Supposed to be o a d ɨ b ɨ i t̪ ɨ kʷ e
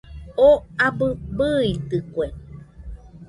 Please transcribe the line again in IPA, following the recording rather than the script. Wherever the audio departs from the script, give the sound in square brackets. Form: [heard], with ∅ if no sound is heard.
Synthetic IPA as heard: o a [b] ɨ b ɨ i t̪ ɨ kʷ e